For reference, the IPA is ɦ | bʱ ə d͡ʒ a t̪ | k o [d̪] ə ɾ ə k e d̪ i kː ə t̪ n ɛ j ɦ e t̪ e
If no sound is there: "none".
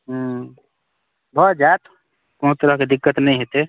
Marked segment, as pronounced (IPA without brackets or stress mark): t̪